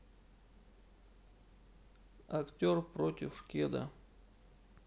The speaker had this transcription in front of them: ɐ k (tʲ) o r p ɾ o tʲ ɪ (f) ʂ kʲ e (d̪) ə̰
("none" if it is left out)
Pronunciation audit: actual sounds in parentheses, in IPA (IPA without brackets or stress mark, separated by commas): tʲ, f, d̪